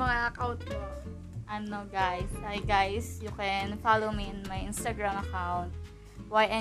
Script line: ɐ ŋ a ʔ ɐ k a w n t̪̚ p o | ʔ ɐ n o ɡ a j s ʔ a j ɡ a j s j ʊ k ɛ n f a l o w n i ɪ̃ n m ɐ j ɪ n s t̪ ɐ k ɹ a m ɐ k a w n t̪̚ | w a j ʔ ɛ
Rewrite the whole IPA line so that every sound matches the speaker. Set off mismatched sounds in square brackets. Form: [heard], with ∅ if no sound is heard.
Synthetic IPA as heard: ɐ ŋ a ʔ ɐ k a w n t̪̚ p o | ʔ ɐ n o ɡ a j s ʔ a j ɡ a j s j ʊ k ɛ n f a l o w [m] i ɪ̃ n m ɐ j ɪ n s t̪ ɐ [ɡ] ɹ a m ɐ k a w n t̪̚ | w a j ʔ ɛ